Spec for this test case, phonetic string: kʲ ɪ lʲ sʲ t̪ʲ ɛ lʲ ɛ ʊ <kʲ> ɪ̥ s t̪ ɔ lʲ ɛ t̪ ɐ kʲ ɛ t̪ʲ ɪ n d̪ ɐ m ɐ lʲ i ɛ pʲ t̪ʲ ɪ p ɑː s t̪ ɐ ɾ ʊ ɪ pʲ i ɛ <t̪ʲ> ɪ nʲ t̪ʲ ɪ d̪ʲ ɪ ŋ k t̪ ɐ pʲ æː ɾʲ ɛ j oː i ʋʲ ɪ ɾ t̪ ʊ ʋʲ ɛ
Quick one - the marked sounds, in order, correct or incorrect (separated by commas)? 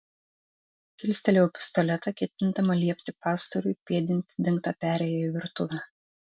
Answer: incorrect, incorrect